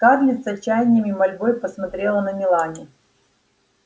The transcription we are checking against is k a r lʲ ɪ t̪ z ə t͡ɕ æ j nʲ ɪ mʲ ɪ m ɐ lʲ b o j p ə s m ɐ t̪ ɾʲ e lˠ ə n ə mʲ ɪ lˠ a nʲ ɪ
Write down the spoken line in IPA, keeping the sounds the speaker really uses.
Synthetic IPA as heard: k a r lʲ ɪ t̪ s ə t͡ɕ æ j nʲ ɪ mʲ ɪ m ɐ lʲ b o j p ə s m ɐ t̪ ɾʲ e lˠ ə n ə mʲ ɪ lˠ a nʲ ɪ